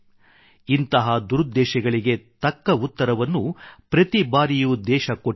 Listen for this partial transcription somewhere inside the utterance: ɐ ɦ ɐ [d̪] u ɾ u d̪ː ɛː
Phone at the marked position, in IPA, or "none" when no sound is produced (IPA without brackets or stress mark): d̪